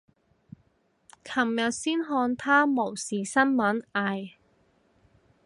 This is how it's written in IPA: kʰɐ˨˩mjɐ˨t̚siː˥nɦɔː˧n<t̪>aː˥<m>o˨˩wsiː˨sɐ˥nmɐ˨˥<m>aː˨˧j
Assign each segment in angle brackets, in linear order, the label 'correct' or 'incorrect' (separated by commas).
incorrect, correct, incorrect